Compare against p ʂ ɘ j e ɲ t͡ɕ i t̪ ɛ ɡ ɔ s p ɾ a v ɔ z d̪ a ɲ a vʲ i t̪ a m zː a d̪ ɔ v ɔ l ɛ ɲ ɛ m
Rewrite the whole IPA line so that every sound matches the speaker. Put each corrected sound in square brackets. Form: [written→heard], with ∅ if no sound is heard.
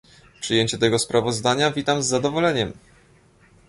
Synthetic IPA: p ʂ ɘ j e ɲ t͡ɕ [i→ɛ] t̪ ɛ ɡ ɔ s p ɾ a v ɔ z d̪ a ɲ a vʲ i t̪ a m zː a d̪ ɔ v ɔ l ɛ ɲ ɛ m